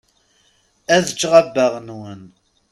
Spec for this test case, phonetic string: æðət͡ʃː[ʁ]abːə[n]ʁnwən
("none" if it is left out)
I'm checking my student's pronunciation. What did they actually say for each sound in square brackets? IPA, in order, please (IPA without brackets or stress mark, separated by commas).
ʁ, none